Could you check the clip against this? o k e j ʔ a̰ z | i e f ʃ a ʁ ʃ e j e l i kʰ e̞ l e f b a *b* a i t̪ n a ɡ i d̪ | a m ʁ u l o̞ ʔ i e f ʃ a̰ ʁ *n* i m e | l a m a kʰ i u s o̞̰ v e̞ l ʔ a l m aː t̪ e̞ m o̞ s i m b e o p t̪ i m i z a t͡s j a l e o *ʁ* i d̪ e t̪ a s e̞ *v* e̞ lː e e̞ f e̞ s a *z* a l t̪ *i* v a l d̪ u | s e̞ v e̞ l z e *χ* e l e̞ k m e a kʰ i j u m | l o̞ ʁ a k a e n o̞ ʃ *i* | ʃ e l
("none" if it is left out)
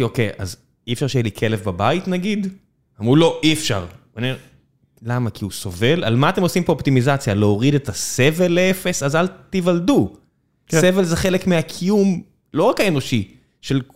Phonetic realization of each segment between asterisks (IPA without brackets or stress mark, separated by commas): b, n, ʁ, v, z, i, χ, i